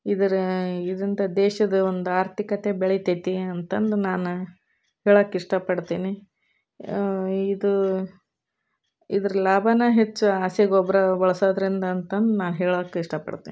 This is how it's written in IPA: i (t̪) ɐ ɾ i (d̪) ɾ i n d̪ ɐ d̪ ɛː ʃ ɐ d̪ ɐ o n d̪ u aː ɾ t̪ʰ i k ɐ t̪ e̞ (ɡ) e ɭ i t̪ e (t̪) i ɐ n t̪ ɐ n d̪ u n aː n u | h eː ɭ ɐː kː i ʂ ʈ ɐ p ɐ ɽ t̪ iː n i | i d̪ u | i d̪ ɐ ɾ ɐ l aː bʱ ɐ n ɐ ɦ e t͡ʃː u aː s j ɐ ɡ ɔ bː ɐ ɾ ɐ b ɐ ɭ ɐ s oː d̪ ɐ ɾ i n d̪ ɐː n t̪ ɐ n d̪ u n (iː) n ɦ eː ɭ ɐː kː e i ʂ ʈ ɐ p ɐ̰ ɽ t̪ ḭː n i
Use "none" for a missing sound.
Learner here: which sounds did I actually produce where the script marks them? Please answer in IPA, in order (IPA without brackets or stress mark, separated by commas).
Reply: d̪, d̪, b, t̪, aː